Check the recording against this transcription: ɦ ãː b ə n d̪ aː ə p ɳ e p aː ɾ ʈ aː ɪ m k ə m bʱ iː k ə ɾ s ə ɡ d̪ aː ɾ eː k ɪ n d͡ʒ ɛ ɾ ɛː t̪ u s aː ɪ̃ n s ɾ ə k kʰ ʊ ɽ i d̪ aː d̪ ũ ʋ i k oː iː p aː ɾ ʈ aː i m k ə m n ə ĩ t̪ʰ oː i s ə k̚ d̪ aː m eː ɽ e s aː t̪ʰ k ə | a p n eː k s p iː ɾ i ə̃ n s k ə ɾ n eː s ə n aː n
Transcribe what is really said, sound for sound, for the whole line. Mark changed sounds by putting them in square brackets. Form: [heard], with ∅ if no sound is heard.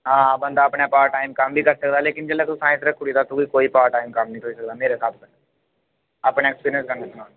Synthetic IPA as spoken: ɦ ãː b ə n d̪ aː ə p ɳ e p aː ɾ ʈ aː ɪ m k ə m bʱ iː k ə ɾ s ə [k] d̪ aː [l] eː k ɪ n d͡ʒ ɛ [l] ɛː t̪ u s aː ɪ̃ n s ɾ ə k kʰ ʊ ɽ i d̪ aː [t̪] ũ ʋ i k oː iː p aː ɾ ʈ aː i m k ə m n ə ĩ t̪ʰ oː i s ə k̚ d̪ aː m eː [ɾ] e s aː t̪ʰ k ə | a p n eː k s p iː ɾ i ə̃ n s k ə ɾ n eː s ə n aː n